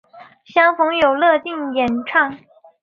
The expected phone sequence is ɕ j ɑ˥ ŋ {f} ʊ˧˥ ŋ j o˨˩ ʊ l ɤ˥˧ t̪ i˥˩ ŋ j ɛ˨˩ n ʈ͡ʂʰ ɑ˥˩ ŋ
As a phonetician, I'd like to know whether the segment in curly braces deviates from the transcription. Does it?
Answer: no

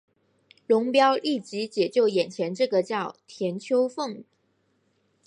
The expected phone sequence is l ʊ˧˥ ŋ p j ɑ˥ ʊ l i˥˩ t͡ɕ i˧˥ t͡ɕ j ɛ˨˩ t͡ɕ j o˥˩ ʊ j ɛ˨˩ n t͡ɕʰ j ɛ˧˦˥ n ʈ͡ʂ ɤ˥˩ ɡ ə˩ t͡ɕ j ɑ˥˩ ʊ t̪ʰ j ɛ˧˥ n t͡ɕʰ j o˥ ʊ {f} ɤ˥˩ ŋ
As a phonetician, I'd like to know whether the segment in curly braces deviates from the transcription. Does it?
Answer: no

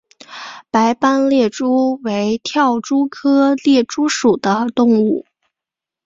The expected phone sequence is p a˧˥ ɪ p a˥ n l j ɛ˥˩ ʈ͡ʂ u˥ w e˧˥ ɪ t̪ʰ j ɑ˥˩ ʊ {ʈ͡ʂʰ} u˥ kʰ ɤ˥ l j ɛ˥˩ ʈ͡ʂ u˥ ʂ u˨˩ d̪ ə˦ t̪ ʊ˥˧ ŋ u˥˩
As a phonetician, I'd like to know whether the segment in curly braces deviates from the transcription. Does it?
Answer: yes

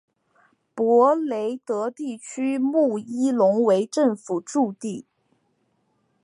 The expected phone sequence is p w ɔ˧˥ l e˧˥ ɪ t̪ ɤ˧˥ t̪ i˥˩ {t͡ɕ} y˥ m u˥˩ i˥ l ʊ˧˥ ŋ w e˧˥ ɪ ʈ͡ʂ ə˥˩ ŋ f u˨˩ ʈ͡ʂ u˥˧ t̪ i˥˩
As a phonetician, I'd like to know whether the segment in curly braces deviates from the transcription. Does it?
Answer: yes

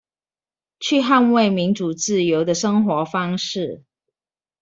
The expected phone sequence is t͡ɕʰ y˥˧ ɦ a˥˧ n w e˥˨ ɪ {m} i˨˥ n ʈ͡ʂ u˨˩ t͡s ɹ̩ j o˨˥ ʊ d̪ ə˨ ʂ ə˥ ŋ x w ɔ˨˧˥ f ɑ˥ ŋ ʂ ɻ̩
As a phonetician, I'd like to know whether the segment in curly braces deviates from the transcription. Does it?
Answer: no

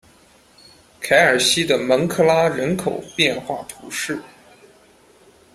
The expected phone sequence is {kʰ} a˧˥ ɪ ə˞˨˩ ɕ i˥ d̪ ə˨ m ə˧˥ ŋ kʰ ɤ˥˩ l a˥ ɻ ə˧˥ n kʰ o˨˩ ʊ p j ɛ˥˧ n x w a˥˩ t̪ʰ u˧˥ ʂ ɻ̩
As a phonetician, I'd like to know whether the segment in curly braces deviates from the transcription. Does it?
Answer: no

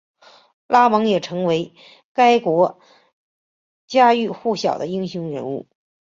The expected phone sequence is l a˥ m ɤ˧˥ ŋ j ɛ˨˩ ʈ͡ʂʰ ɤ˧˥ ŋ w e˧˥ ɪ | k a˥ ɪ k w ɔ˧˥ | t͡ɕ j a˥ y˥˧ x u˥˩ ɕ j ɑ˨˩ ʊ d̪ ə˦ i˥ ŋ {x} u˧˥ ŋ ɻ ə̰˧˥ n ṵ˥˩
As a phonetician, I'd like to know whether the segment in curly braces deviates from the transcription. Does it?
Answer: yes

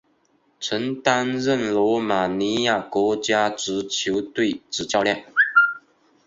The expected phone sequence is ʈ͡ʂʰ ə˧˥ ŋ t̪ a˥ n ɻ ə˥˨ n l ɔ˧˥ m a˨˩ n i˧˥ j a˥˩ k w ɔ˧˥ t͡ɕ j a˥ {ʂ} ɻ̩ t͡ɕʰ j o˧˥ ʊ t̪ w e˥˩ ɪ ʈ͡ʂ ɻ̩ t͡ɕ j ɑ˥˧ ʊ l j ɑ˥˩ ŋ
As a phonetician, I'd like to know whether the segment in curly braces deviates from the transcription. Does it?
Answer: yes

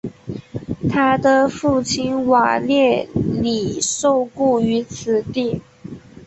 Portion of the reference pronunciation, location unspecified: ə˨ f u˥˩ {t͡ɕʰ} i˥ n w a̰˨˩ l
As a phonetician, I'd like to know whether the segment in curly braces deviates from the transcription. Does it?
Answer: no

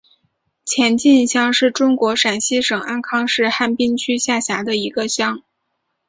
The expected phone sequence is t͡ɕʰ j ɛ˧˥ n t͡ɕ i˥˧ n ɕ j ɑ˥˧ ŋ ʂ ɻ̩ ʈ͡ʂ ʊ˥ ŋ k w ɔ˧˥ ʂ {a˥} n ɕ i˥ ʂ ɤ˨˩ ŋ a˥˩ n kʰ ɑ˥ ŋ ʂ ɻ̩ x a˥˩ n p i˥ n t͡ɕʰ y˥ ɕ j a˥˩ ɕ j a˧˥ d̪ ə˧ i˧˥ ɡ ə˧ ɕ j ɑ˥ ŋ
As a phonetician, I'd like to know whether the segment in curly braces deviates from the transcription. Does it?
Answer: yes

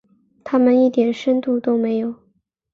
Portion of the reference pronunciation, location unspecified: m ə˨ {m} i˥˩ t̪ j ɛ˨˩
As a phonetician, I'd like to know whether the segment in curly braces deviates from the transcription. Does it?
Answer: yes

